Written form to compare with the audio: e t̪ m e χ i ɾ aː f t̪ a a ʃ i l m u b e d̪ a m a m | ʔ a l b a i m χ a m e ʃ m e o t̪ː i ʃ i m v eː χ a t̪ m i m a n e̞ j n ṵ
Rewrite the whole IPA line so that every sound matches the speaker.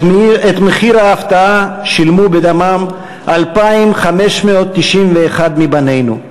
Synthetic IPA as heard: e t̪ m e χ i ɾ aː f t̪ a a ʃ i l m u b e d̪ a m a m | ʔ a l p a i m χ a m e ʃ m e o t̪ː i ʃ i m v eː χ a d̪ m i b a n e̞ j n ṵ